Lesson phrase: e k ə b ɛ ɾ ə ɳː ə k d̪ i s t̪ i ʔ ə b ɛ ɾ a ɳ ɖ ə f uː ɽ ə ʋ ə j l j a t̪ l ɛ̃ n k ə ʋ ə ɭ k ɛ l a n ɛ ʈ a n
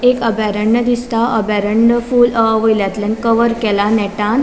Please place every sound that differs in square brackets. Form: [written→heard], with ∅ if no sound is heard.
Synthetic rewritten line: e k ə b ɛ ɾ ə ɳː ə [k→∅] d̪ i s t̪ [i→a] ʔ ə b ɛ ɾ [a→ə] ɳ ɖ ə f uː [ɽ→l] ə ʋ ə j l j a t̪ l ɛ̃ n k ə ʋ ə [ɭ→ɾ] k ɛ l a n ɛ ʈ a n